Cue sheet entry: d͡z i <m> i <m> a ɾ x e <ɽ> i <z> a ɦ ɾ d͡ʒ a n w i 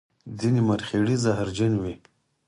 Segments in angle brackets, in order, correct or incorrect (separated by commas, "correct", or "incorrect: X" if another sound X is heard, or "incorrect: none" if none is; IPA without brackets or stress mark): incorrect: n, correct, correct, correct